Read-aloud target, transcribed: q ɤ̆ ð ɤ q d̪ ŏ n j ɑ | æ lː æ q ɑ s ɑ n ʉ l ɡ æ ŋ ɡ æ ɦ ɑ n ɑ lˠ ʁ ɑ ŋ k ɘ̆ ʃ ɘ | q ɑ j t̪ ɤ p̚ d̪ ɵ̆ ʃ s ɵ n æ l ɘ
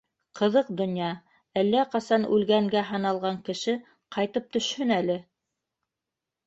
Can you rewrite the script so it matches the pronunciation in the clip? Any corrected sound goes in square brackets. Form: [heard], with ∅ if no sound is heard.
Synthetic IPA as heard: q ɤ̆ ð ɤ q d̪ ŏ n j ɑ | æ lː æ q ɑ s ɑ n ʉ l ɡ æ ŋ ɡ æ ɦ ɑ n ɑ lˠ ʁ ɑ ŋ k ɘ̆ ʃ ɘ | q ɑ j t̪ ɤ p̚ [t̪] ɵ̆ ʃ [h] ɵ n æ l ɘ